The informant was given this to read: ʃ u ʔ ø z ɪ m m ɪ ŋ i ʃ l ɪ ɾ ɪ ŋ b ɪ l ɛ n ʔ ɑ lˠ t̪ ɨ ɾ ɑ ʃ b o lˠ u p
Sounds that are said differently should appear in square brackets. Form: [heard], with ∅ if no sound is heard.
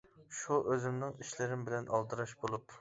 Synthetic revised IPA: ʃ u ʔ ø z ɪ m [n] ɪ ŋ i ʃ l ɪ ɾ ɪ [m] b ɪ l ɛ n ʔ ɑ lˠ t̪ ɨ ɾ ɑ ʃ b o lˠ u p